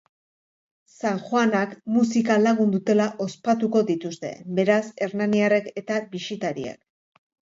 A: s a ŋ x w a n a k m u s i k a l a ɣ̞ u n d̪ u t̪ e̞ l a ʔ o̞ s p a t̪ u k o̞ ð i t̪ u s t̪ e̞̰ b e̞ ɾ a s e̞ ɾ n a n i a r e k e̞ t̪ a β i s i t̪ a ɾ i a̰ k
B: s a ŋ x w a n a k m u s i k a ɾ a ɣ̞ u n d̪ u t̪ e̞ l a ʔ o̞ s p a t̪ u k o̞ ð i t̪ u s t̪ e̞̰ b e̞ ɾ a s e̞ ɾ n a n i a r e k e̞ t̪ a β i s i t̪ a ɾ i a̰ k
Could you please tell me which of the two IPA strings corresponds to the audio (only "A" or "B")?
A